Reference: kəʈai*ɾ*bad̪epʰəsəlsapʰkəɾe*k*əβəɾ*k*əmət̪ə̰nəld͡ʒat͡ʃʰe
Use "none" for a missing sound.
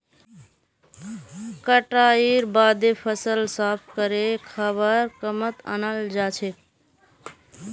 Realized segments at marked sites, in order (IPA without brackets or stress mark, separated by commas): ɾ, kʰ, k